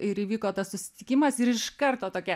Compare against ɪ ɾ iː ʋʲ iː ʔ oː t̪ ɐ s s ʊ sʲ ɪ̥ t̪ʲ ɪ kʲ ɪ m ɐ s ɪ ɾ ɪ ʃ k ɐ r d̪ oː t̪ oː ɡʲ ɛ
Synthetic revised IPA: ɪ ɾ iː ʋʲ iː k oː t̪ ɐ s s ʊ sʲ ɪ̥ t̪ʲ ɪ kʲ ɪ m ɐ s ɪ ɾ ɪ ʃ k ɐ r t̪ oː t̪ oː kʲ ɛ